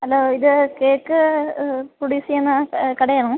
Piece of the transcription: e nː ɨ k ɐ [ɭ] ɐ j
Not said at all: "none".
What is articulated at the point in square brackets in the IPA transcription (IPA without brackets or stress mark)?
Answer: ɽ